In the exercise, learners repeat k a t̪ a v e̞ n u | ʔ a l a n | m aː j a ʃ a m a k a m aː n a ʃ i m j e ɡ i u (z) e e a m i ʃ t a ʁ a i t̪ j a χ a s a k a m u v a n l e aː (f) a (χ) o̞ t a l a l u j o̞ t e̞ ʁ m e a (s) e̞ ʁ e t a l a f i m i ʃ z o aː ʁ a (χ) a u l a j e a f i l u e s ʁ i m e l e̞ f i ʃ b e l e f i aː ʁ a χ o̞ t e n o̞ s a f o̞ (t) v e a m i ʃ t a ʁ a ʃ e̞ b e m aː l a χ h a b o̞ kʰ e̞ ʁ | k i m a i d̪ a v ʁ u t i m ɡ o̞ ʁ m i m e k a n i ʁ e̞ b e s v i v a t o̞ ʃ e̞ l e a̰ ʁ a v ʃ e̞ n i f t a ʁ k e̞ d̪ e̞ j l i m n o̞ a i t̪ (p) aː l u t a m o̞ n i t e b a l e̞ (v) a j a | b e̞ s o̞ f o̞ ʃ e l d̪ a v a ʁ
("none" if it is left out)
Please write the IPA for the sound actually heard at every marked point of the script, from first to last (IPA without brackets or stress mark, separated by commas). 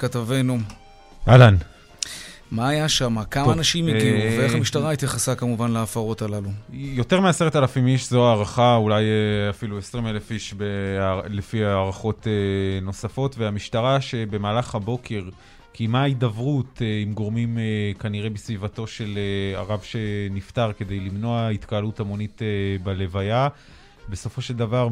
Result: v, f, ʁ, s, χ, t, k, v